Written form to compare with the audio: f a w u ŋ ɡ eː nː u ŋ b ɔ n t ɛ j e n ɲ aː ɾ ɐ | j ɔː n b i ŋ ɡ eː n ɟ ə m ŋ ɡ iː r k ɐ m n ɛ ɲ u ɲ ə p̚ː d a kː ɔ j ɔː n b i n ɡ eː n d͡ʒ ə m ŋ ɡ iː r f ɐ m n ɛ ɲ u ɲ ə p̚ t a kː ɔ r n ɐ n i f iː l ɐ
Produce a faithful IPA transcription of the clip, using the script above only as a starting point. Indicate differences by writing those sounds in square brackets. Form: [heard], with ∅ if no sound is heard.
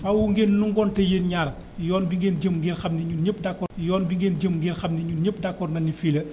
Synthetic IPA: f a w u ŋ ɡ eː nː u ŋ [ɡ] ɔ n t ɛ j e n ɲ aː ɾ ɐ | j ɔː n b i ŋ ɡ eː n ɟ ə m ŋ ɡ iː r [x] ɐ m n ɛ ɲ u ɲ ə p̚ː d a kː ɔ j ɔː n b i [ŋ] ɡ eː n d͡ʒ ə m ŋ ɡ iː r [x] ɐ m n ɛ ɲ u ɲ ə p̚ [d] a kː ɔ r n ɐ n i f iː l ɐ